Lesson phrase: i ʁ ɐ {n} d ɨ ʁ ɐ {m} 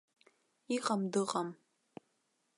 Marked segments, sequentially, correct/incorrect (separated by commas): incorrect, correct